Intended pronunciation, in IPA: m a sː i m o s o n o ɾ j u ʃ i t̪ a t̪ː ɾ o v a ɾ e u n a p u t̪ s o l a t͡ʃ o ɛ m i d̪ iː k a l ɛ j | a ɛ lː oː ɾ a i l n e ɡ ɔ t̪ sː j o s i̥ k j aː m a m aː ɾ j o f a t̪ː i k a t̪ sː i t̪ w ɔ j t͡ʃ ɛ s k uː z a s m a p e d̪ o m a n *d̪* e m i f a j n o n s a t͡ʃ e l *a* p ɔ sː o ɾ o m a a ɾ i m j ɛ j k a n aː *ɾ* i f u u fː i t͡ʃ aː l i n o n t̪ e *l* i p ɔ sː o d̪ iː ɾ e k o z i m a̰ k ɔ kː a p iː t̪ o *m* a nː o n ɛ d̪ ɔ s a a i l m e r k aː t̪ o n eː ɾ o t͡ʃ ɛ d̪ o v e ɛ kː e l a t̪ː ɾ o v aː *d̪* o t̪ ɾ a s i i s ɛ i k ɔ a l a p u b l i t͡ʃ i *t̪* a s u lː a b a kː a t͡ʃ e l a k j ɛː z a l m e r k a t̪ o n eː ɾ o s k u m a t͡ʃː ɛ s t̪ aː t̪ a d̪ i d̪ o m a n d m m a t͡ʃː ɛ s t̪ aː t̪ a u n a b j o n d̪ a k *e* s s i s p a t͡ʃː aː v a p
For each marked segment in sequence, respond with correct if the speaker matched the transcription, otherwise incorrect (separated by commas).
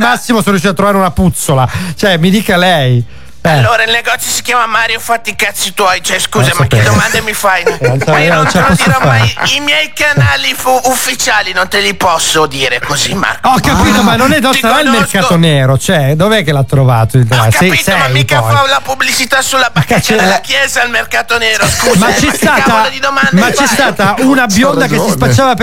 correct, correct, incorrect, correct, correct, incorrect, correct, correct